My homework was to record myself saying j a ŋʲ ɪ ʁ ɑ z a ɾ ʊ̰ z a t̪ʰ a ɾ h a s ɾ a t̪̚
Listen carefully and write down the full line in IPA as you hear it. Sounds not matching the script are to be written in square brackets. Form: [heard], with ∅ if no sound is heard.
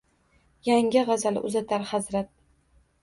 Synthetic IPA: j a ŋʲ ɪ ʁ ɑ z a [l] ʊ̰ z a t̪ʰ a ɾ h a [z] ɾ a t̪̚